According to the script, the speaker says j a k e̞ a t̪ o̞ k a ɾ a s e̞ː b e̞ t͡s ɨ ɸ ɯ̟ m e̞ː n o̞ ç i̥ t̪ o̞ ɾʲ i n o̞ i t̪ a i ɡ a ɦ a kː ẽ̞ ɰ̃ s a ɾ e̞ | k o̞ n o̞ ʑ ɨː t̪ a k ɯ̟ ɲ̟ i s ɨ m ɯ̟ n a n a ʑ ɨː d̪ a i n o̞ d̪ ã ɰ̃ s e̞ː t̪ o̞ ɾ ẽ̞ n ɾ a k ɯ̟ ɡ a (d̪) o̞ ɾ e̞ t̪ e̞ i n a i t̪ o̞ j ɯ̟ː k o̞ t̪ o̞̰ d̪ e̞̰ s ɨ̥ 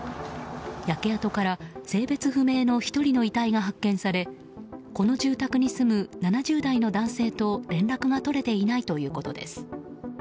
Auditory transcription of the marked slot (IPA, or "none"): t̪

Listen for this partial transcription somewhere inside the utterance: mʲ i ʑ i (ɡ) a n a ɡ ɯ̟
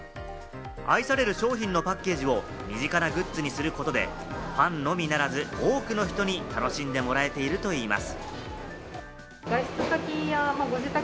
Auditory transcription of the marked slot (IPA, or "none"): k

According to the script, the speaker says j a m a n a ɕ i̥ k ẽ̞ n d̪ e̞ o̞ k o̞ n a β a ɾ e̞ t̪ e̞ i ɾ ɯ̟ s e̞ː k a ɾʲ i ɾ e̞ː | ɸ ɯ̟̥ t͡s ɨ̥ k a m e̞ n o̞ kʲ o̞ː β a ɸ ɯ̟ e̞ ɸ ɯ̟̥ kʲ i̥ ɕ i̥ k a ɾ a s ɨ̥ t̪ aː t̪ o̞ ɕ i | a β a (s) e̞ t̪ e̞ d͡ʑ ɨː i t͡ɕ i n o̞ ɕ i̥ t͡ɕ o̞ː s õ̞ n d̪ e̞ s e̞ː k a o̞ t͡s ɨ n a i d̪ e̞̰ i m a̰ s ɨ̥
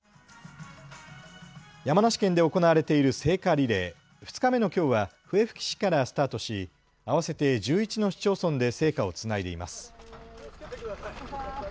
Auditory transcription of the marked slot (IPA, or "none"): s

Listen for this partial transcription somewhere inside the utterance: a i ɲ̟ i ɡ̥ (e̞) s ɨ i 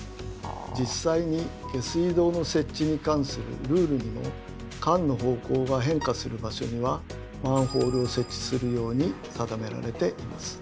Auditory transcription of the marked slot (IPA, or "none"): e̞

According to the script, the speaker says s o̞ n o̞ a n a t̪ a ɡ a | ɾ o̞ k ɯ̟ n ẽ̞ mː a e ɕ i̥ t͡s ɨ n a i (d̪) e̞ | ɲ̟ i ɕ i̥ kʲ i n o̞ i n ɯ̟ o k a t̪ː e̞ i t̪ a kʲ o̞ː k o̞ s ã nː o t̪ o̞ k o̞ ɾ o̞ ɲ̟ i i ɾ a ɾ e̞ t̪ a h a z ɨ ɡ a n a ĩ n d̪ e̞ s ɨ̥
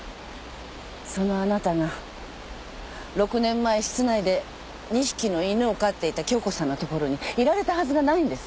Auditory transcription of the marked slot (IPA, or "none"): d̪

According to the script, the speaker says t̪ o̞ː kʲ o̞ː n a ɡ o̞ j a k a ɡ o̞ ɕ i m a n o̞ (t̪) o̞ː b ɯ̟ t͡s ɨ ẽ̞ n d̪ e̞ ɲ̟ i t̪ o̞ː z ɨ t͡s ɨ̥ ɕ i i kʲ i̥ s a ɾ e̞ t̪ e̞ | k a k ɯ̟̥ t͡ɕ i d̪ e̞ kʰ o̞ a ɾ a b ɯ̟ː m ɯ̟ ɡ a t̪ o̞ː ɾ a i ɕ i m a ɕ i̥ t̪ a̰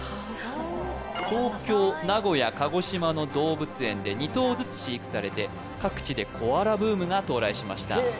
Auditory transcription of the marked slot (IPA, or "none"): d̪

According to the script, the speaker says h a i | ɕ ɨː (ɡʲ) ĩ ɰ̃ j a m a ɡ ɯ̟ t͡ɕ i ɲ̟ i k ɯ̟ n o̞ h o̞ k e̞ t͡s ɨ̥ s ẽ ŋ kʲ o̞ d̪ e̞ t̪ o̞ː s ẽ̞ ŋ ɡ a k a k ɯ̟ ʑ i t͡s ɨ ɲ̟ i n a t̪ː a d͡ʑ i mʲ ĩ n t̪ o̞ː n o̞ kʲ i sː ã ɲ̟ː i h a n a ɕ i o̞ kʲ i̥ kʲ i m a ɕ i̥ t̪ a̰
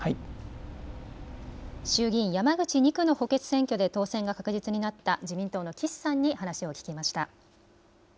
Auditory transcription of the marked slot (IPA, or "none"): ɡʲ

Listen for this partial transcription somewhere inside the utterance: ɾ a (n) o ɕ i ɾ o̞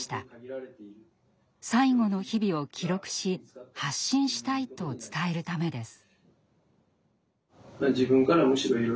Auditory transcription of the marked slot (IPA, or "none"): m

